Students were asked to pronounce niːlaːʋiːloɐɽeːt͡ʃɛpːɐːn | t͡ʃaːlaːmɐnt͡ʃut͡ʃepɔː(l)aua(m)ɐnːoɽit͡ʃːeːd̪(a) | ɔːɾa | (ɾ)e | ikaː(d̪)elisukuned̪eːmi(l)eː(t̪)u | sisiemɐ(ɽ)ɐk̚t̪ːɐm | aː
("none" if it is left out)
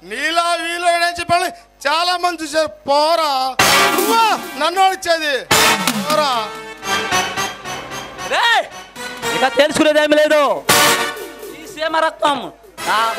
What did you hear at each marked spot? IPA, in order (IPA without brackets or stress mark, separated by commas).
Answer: ɾ, n, i, ɾ, t̪, l, d̪, ɾ